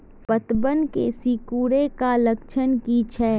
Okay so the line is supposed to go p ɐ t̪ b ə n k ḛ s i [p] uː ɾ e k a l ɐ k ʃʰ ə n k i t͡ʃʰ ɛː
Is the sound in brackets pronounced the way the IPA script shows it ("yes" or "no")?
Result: no